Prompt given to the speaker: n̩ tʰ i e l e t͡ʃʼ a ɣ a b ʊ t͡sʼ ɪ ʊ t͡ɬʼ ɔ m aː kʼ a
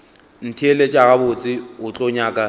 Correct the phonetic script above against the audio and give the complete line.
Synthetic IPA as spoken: n̩ tʰ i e l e t͡ʃʼ a ɣ a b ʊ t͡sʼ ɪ ʊ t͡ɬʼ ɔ ɲ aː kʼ a